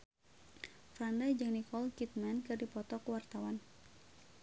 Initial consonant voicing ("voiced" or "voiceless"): voiceless